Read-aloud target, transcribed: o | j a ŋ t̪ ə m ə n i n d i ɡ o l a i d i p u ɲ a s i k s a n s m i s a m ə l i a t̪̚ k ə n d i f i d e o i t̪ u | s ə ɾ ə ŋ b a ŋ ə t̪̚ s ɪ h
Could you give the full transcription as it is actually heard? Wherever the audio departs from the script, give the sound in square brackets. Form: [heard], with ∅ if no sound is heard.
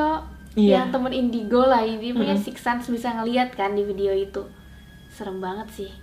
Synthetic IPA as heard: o | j a ŋ t̪ ə m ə n i n d i ɡ o l a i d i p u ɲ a s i k s a n s [b] i s a [ŋ] ə l i a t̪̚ k [a] n d i f i d e o i t̪ u | s ə ɾ ə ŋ b a ŋ ə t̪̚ s ɪ h